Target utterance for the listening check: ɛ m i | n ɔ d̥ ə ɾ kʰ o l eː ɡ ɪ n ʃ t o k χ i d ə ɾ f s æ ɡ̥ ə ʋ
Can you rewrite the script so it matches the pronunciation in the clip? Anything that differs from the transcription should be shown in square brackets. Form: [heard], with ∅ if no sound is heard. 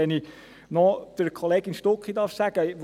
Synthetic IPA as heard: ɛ [n] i | n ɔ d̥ ə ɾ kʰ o l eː ɡ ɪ n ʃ t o k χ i d [ɑ] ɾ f s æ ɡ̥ ə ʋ